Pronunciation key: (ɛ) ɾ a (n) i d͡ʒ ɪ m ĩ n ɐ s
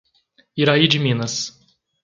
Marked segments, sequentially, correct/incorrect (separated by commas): incorrect, incorrect